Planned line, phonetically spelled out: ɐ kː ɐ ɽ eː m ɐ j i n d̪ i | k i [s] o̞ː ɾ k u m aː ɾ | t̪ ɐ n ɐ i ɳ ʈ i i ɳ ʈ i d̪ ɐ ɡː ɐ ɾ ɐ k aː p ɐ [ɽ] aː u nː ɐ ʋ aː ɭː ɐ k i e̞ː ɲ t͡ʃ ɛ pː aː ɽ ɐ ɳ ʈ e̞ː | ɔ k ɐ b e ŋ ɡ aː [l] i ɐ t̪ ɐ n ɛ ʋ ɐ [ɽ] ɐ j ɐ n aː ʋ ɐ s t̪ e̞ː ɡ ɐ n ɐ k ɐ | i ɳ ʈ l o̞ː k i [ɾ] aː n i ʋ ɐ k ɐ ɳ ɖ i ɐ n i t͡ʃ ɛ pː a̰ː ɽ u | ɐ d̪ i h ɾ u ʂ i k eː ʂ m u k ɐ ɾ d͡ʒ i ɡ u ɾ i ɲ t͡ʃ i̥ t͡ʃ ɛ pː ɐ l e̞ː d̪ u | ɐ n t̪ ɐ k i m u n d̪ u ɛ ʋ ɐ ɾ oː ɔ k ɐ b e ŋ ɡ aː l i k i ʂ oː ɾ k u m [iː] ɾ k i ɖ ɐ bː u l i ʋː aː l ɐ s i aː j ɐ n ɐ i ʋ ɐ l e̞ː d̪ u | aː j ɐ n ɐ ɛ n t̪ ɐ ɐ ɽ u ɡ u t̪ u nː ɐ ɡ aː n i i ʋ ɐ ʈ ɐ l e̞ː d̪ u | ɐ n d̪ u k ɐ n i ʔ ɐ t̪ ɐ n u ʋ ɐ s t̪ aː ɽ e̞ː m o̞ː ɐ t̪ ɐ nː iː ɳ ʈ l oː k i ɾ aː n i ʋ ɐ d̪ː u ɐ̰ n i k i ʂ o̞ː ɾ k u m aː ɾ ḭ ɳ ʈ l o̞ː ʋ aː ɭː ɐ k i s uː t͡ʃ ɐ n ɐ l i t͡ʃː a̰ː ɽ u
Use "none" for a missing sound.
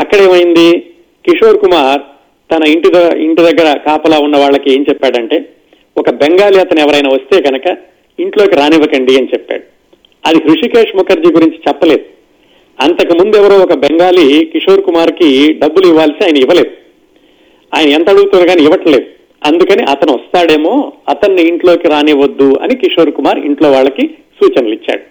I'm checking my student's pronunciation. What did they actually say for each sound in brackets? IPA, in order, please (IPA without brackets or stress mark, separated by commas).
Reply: ʂ, l, l, ɾ, ɾ, aː